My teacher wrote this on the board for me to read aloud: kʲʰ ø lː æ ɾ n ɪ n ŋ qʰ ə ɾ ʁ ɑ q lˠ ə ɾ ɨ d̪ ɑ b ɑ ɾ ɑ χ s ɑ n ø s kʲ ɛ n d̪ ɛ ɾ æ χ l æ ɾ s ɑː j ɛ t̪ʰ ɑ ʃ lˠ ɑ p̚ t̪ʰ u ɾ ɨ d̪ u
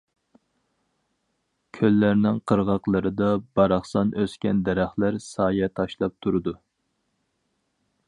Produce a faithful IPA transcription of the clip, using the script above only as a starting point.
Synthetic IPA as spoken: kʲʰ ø lː æ ɾ n ɪ ŋ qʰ ə ɾ ʁ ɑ q lˠ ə ɾ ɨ d̪ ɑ b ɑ ɾ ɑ χ s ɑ n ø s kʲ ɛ n d̪ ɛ ɾ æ χ l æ ɾ s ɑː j ɛ t̪ʰ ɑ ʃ lˠ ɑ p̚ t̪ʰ u ɾ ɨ d̪ u